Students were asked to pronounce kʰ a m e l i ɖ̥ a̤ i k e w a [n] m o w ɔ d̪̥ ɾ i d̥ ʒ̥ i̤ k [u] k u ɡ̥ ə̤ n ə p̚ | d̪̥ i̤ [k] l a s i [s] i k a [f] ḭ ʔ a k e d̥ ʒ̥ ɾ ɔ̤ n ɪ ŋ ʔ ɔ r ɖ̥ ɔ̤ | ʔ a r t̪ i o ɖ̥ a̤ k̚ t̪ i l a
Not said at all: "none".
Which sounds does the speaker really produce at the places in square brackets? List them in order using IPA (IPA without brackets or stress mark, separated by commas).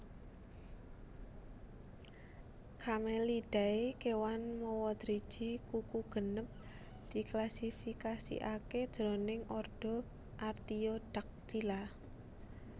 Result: n, u, k, f, s